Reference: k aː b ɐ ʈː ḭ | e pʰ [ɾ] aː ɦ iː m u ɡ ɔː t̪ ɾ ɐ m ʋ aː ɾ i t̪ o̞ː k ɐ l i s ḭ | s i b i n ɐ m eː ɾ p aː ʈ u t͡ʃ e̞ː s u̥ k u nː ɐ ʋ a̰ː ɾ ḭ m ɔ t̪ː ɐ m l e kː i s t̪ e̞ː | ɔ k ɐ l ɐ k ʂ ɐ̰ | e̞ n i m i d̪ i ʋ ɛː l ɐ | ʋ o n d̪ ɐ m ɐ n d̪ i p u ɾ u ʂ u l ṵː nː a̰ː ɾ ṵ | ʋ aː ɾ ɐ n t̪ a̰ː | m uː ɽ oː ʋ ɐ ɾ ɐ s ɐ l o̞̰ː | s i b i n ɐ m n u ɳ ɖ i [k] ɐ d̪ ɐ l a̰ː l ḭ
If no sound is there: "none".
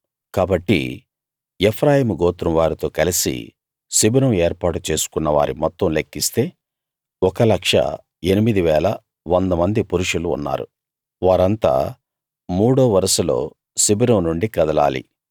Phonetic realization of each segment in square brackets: ɾ, k

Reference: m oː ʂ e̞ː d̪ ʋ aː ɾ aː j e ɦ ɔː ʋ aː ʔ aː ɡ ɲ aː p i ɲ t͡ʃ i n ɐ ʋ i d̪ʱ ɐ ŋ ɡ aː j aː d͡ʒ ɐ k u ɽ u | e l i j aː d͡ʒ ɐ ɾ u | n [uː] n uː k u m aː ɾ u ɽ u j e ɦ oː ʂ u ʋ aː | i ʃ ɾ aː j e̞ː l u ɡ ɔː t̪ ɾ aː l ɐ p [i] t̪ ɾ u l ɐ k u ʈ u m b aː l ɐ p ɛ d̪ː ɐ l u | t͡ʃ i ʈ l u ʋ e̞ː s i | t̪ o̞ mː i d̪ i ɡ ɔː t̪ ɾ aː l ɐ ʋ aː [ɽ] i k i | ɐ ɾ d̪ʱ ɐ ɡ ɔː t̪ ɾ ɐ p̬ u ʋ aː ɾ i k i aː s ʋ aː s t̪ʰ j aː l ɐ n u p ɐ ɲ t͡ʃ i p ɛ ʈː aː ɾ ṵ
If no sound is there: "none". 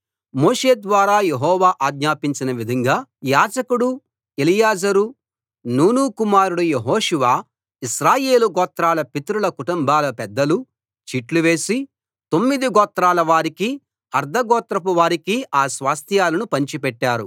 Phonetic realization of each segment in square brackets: uː, i, ɾ

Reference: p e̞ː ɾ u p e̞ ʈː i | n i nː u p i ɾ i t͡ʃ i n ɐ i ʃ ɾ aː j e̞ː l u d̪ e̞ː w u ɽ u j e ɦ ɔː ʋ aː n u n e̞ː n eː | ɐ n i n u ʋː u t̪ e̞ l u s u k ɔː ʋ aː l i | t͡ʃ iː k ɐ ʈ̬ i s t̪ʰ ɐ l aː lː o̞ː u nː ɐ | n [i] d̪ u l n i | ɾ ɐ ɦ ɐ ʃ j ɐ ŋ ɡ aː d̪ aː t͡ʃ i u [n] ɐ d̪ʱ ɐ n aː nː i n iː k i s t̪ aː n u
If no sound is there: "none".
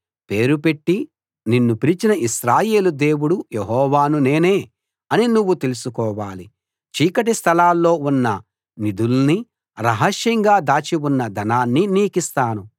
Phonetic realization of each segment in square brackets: i, nː

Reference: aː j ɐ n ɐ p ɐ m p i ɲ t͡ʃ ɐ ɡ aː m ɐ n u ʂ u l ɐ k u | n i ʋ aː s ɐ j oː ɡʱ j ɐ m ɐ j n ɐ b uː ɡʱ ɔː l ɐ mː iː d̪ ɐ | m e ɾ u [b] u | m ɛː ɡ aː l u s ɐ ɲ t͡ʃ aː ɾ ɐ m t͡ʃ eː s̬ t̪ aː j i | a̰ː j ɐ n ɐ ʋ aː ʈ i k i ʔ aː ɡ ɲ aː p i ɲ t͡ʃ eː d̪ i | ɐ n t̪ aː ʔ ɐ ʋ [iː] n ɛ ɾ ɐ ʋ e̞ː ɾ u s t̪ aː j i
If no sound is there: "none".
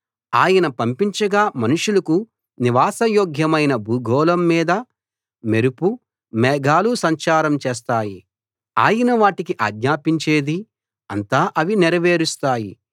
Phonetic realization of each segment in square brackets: p, i

